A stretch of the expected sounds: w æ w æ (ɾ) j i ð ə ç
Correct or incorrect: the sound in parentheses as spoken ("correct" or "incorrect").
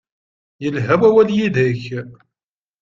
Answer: incorrect